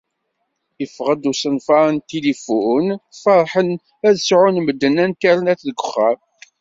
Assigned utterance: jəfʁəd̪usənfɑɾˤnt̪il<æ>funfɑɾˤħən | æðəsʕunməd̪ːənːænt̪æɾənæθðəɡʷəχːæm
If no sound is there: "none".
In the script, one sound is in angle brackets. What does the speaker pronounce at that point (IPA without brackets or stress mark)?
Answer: i